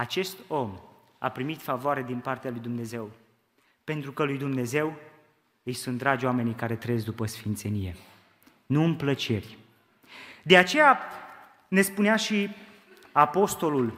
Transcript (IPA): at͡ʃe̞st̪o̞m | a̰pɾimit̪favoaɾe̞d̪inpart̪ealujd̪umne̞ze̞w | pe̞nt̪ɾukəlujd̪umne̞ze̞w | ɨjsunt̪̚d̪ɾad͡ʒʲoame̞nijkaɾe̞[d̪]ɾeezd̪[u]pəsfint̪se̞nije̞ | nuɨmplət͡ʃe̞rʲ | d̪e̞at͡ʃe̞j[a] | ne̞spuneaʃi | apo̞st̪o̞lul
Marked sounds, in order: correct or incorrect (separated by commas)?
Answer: incorrect, correct, correct